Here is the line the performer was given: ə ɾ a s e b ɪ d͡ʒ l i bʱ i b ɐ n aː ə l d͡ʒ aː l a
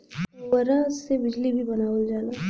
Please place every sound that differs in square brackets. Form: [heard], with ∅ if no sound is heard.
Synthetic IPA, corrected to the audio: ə ɾ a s e b ɪ d͡ʒ l i bʱ i b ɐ n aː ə l d͡ʒ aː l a